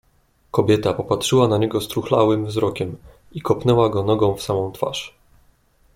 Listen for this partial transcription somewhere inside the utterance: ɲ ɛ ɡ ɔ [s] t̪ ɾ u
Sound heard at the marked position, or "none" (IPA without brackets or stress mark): s